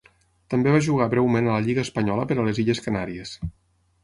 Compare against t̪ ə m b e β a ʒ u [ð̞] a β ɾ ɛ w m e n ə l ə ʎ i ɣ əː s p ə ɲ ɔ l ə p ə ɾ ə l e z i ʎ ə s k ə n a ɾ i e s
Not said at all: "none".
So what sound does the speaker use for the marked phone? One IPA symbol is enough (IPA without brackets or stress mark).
ɣ̞